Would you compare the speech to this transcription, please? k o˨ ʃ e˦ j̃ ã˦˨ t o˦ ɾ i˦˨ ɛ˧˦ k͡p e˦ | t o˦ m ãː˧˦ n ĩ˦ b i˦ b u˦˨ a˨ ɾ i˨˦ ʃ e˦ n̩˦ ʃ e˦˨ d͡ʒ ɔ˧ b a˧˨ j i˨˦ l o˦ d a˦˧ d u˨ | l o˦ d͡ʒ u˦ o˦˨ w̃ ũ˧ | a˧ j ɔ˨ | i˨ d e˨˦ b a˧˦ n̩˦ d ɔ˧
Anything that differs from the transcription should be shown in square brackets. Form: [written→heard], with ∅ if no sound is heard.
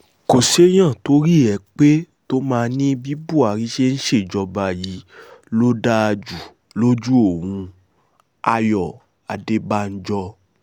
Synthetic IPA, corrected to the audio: k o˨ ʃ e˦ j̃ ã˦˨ t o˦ ɾ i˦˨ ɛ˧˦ k͡p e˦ | t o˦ m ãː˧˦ n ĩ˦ b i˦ b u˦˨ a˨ ɾ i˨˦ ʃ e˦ n̩˦ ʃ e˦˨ d͡ʒ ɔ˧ b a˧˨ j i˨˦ l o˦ d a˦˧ [d→d͡ʒ] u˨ | l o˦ d͡ʒ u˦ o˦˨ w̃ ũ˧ | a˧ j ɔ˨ | [i˨→a˨] d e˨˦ b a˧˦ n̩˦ [d→d͡ʒ] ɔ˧